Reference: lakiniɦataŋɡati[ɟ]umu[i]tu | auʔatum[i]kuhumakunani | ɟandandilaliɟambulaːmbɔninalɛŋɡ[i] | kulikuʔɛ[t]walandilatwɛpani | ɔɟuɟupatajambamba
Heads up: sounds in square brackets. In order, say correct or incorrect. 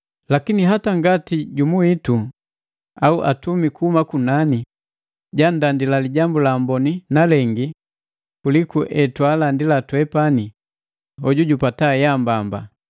correct, correct, correct, correct, correct

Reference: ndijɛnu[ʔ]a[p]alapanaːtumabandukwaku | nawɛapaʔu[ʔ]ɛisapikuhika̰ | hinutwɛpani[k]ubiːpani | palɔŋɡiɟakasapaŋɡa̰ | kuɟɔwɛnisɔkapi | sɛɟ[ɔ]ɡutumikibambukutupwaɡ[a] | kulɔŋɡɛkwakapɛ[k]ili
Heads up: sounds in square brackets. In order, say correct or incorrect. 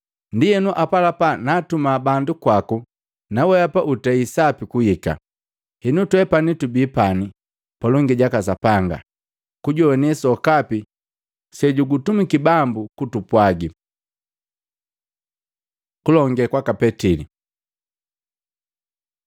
correct, correct, incorrect, incorrect, incorrect, incorrect, incorrect

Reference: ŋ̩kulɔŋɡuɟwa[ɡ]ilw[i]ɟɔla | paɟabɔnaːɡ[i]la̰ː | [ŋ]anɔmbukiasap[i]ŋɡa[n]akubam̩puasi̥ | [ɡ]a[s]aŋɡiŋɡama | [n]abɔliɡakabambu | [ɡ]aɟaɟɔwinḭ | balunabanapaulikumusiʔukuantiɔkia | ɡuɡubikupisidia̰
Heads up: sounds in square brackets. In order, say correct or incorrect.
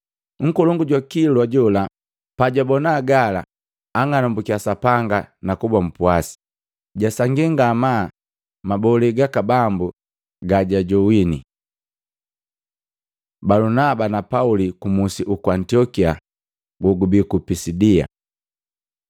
incorrect, incorrect, incorrect, correct, incorrect, correct, incorrect, correct, incorrect, correct

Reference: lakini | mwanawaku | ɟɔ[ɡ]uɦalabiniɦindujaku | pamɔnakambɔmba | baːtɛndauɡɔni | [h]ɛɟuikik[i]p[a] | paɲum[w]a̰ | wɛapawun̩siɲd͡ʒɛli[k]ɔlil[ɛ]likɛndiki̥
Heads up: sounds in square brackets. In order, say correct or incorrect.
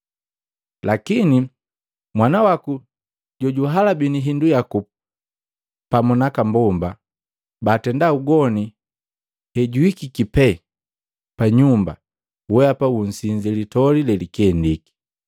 incorrect, correct, correct, incorrect, incorrect, incorrect, correct

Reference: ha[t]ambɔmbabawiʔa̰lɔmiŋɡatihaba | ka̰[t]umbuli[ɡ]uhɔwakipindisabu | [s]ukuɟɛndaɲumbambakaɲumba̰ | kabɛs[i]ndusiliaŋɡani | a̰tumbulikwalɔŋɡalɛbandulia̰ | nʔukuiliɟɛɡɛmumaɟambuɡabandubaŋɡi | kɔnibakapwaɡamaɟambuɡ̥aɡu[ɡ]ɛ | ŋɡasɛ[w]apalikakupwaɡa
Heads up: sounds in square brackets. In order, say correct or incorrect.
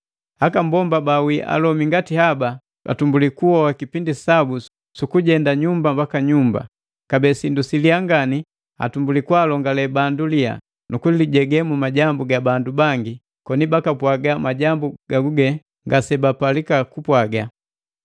incorrect, correct, incorrect, correct, correct, correct, incorrect

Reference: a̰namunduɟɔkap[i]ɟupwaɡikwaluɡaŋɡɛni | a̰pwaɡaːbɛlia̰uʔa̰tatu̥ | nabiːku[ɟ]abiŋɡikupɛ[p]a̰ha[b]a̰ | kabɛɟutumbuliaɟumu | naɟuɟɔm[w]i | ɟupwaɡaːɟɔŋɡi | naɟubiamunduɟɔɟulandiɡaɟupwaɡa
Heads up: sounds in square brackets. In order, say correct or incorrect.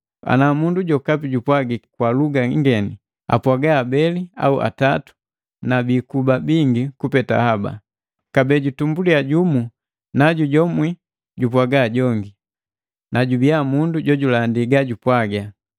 correct, incorrect, incorrect, correct, correct

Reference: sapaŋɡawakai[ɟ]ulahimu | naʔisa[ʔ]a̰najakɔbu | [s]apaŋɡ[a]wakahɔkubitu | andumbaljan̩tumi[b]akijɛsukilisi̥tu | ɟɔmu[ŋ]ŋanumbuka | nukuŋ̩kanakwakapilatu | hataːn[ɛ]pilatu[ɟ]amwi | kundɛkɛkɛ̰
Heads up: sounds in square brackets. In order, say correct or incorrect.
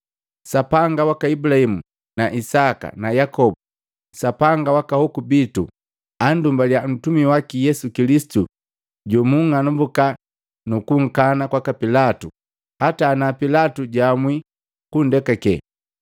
incorrect, incorrect, correct, correct, incorrect, correct, incorrect, correct

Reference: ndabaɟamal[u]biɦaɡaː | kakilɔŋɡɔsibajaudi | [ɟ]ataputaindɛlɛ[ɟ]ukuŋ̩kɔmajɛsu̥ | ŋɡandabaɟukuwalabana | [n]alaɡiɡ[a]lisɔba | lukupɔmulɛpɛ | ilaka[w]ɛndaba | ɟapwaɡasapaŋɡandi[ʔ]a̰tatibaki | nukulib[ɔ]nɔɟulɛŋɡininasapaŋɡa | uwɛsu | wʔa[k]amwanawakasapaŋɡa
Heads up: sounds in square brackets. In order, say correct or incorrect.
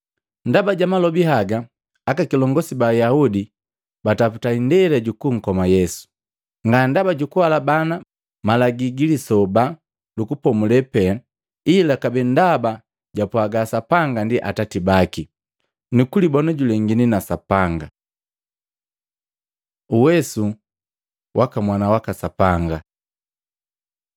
incorrect, incorrect, correct, incorrect, incorrect, incorrect, correct, correct, correct

